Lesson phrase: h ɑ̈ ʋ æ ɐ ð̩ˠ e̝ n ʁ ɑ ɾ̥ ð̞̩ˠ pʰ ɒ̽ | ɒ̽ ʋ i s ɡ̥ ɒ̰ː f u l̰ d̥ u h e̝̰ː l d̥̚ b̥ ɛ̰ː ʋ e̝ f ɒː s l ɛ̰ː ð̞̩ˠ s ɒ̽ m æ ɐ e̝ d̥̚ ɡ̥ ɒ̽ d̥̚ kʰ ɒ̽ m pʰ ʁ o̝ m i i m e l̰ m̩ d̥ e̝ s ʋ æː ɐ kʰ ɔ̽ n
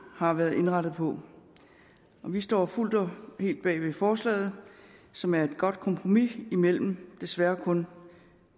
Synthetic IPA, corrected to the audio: h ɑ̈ ʋ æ ɐ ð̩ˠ e̝ n ʁ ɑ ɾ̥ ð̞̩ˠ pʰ ɒ̽ | ɒ̽ ʋ i s d̥ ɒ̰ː f u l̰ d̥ ɒ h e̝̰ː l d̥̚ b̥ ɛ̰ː ʋ e̝ f ɒː s l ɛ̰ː ð̞̩ˠ s ɒ̽ m æ ɐ e̝ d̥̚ ɡ̥ ɒ̽ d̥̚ kʰ ɒ̽ m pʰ ʁ o̝ m i i m e l̰ m̩ d̥ e̝ s ʋ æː ɐ kʰ ɔ̽ n